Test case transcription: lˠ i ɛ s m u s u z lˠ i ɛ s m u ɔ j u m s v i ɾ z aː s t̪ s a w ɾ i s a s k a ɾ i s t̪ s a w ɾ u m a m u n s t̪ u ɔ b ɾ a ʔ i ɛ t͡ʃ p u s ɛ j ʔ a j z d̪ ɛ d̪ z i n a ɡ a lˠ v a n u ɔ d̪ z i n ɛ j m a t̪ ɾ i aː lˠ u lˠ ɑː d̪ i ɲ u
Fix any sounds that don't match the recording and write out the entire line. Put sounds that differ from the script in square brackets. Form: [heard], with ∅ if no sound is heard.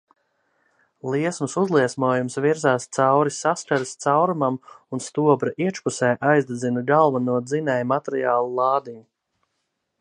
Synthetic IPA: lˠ i ɛ s m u s u z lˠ i ɛ s m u ɔ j u m s v i ɾ z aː s t̪ s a w ɾ i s a s k a ɾ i s t̪ s a w ɾ u m a m u n s t̪ u ɔ b ɾ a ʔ i ɛ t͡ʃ p u s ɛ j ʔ a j z d̪ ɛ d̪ z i n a ɡ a lˠ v a n u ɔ d̪ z i n ɛ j m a t̪ ɾ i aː lˠ u lˠ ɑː d̪ i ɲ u